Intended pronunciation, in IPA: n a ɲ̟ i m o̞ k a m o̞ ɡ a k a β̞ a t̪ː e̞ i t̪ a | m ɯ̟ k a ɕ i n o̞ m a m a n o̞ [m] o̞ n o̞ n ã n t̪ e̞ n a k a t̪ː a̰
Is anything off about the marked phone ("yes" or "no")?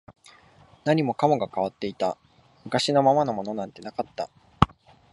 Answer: no